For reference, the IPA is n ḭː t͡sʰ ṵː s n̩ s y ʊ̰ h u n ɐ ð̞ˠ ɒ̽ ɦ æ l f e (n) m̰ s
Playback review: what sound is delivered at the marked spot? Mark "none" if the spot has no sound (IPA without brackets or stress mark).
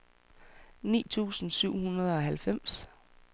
none